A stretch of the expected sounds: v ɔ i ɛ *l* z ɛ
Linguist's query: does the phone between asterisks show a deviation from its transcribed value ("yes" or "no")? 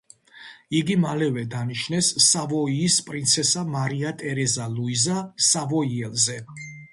no